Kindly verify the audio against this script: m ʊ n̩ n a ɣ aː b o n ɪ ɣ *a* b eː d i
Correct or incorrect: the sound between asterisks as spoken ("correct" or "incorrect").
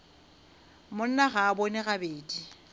correct